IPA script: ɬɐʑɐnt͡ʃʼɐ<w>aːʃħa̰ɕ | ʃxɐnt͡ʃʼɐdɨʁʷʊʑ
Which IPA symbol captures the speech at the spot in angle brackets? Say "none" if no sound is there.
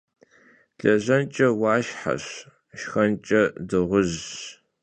w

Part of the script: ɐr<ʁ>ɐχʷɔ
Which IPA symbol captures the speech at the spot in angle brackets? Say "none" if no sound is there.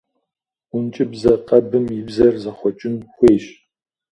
z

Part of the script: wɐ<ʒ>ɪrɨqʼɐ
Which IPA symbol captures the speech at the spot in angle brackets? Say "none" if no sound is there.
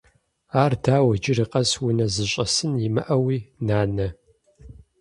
d͡ʒ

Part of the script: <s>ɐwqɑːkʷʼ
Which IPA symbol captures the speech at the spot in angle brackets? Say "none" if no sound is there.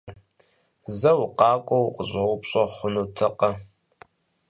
z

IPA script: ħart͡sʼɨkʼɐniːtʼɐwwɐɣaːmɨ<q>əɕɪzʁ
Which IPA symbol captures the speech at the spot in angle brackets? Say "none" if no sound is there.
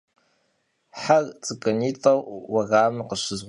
q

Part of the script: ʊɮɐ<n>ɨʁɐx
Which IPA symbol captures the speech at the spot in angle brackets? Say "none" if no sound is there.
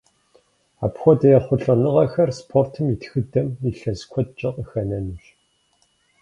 n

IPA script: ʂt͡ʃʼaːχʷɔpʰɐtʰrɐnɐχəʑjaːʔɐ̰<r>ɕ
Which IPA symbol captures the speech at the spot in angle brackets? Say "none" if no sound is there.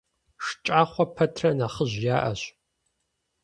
none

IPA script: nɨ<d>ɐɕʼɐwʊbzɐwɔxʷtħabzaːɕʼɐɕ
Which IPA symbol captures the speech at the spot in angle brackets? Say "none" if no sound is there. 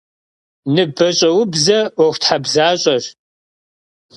b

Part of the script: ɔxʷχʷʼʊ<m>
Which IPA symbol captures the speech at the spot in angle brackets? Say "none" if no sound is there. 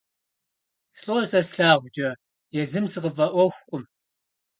m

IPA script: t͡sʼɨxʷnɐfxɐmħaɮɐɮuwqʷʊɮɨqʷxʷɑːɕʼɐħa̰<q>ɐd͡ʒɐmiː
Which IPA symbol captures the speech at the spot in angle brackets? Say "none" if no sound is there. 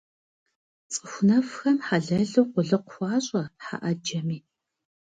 ʔ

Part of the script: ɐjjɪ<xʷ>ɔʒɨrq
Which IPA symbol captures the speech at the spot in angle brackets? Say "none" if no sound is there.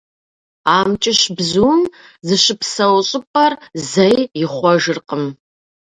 χʷ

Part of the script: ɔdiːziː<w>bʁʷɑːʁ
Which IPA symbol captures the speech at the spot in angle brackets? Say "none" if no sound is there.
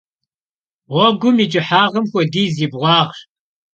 none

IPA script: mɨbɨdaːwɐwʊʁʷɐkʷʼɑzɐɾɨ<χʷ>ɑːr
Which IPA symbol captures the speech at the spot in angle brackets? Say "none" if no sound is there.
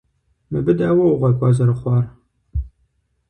χʷ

